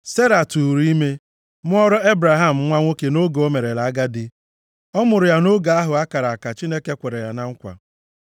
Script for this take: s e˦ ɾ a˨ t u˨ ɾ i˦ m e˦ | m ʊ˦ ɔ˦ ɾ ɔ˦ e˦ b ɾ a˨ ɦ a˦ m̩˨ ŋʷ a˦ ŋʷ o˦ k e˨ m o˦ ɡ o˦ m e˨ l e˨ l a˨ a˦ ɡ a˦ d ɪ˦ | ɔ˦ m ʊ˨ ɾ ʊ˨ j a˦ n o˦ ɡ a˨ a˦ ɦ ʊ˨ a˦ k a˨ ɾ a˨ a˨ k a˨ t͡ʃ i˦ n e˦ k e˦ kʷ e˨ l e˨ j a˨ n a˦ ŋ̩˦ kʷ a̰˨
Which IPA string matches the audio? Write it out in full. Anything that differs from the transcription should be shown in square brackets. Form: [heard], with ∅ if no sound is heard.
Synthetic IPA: s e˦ ɾ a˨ t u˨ ɾ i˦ m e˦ | m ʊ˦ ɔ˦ ɾ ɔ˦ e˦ b ɾ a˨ ɦ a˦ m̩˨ ŋʷ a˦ ŋʷ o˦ k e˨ [n] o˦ ɡ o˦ m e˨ [ɾ] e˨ l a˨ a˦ ɡ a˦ d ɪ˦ | ɔ˦ m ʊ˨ ɾ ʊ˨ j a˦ n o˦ ɡ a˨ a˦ ɦ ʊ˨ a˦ k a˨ ɾ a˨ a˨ k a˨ t͡ʃ i˦ n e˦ k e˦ kʷ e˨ [ɾ] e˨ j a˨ n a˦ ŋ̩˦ kʷ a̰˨